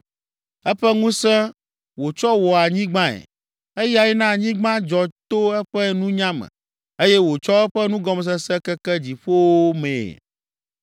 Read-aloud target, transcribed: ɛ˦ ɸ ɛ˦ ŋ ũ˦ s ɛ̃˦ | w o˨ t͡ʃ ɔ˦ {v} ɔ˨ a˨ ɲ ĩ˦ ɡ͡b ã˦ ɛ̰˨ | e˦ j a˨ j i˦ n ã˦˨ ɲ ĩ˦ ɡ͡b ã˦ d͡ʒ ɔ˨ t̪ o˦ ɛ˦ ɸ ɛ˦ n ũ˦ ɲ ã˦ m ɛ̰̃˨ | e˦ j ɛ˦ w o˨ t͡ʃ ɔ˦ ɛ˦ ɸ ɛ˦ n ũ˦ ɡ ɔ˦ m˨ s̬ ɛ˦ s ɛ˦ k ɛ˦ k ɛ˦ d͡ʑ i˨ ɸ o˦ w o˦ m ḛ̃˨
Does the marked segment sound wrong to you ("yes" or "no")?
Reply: yes